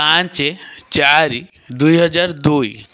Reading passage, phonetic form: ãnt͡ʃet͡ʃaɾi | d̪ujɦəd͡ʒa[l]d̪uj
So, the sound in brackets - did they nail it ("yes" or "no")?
no